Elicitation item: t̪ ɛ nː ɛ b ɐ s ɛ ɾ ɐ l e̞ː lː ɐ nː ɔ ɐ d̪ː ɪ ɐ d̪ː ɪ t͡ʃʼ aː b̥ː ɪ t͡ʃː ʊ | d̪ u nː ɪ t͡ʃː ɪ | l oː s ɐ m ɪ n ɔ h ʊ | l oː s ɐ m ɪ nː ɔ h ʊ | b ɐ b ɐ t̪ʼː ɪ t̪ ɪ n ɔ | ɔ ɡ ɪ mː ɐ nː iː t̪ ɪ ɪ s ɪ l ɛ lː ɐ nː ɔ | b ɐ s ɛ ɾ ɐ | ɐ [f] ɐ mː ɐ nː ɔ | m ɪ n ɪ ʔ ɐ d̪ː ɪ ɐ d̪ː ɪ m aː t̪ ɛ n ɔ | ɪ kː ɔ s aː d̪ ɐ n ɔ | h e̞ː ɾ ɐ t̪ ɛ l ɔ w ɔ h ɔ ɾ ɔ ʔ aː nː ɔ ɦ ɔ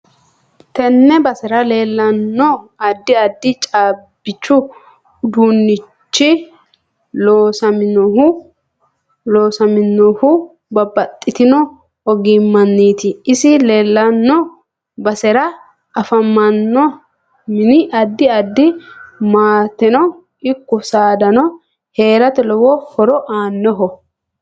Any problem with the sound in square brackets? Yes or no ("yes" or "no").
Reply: no